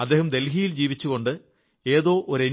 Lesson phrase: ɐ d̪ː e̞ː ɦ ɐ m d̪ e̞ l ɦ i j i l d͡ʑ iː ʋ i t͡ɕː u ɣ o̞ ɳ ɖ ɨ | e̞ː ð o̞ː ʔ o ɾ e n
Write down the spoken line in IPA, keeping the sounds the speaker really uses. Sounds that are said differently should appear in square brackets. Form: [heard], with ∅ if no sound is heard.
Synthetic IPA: ɐ d̪ː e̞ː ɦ ɐ m d̪ e̞ l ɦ i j i l d͡ʑ iː ʋ i t͡ɕː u ɣ o̞ ɳ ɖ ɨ | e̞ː ð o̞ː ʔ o ɾ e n